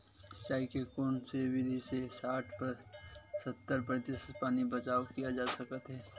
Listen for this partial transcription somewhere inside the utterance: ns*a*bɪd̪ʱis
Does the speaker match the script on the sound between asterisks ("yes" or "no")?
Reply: no